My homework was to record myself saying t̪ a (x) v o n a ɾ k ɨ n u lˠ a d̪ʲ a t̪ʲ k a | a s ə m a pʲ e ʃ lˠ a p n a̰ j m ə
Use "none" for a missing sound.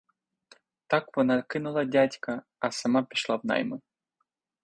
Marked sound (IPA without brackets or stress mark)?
k